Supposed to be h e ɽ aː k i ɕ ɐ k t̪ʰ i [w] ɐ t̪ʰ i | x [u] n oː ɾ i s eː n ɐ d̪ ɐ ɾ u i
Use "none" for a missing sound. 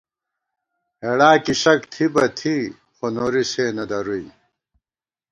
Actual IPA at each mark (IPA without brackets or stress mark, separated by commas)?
b, o